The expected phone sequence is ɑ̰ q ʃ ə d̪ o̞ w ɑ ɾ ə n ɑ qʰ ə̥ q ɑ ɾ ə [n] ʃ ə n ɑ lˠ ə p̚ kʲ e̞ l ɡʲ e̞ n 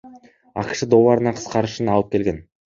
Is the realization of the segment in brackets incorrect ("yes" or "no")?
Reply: yes